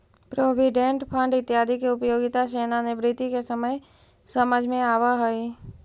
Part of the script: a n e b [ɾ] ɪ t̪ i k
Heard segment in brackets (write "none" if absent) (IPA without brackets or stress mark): ɾ